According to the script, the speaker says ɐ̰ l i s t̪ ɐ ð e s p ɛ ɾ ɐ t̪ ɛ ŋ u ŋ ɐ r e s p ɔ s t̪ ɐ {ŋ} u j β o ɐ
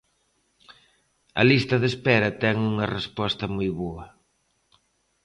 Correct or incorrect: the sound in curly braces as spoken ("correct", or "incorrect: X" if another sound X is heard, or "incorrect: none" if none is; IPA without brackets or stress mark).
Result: incorrect: m